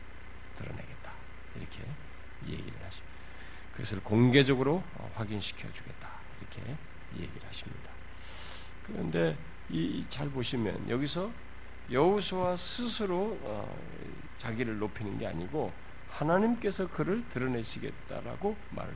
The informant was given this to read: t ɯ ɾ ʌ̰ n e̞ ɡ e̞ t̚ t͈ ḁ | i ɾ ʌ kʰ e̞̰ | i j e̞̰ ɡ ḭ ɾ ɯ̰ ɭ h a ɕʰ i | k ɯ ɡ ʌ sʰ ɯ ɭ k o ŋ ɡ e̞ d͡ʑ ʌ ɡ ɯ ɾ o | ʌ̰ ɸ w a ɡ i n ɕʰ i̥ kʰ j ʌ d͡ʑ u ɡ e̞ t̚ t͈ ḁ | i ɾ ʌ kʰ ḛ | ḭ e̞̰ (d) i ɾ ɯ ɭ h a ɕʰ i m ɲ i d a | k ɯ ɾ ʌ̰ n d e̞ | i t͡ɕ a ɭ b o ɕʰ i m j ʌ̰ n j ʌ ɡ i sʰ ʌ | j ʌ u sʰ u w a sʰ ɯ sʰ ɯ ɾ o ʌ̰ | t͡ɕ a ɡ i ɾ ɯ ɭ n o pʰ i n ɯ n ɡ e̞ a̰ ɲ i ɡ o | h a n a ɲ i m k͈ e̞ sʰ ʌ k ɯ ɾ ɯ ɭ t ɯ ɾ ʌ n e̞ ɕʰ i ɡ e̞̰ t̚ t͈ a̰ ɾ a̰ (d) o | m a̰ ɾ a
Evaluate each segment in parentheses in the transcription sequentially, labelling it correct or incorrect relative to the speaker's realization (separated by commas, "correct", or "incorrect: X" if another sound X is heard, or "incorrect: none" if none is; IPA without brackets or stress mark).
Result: incorrect: ɡ, incorrect: ɡ